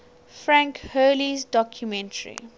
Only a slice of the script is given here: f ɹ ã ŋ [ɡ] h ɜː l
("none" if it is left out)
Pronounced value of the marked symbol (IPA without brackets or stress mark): k